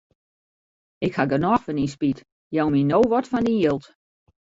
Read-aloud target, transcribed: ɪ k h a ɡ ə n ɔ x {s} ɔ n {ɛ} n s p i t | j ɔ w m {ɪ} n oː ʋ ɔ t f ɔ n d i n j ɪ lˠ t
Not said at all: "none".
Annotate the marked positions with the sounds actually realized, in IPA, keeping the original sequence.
f, i, i

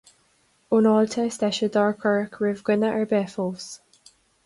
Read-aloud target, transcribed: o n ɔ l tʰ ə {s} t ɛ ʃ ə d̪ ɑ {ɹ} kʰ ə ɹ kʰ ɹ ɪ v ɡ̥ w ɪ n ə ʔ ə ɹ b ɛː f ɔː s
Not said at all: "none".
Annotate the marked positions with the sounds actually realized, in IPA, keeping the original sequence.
s, ɹ

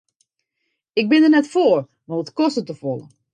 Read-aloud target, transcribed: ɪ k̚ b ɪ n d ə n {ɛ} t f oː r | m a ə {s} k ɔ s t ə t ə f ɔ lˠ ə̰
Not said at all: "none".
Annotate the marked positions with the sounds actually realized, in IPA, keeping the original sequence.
ɛ, t

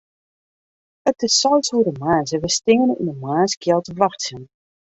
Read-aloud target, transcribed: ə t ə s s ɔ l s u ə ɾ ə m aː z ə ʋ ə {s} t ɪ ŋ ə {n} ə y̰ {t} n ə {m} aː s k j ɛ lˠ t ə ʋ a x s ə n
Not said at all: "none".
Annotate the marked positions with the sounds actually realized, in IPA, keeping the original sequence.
s, n, none, m

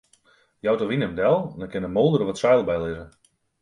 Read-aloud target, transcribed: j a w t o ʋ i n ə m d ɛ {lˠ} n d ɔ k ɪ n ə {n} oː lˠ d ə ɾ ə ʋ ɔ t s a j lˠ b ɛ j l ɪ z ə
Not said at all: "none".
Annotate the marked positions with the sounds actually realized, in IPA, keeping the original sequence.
lˠ, m

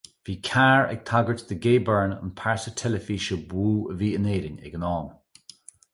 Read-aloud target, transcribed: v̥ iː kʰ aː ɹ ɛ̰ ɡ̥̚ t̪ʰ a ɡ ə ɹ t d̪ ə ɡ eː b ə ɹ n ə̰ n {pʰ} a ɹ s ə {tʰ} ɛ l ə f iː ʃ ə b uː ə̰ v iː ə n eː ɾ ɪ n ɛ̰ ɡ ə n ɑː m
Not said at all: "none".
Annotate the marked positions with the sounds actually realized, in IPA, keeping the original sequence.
pʰ, tʰ

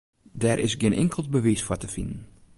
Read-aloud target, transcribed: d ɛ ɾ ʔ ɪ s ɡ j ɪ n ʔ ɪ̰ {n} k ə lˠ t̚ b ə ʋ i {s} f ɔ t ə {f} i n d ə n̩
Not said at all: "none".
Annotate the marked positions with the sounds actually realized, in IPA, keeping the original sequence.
ŋ, s, f

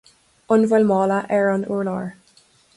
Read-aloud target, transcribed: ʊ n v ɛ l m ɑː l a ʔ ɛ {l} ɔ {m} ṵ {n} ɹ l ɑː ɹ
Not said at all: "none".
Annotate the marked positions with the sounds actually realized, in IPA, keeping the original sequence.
ɹ, n, none

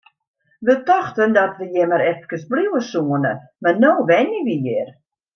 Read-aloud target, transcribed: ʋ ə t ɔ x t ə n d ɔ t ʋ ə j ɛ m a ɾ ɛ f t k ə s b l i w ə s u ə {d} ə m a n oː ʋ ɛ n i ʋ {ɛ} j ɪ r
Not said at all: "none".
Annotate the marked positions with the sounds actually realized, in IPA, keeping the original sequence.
n, i

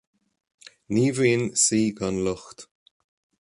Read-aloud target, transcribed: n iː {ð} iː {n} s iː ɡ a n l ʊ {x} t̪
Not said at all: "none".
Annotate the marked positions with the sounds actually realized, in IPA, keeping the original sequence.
v, n, x

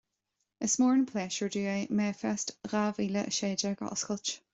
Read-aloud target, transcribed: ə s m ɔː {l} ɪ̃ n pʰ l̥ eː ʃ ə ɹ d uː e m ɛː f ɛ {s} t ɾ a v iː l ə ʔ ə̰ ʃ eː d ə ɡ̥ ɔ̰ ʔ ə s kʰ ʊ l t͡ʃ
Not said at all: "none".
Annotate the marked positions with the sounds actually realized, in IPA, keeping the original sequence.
ɹ, s

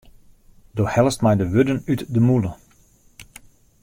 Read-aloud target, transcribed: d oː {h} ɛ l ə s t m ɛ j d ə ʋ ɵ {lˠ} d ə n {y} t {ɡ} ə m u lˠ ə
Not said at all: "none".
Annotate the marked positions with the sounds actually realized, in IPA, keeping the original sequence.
h, none, y, d

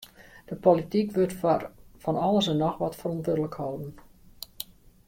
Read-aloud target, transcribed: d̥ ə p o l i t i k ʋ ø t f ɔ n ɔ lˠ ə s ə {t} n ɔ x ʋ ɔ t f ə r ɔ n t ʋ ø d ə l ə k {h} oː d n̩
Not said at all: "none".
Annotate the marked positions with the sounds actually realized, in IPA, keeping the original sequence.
none, h

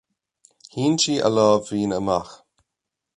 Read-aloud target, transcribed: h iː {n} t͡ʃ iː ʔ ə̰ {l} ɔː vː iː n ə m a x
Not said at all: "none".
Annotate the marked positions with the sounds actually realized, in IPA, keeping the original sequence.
n, l

